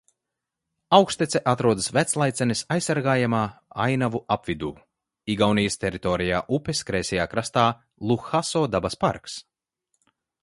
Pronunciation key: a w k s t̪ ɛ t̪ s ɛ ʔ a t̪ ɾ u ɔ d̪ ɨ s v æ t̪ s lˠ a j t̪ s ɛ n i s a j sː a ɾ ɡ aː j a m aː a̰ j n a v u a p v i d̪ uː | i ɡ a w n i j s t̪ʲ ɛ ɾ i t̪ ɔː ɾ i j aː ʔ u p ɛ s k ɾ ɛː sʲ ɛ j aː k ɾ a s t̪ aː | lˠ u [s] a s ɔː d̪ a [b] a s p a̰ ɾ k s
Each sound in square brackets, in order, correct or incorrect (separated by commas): incorrect, correct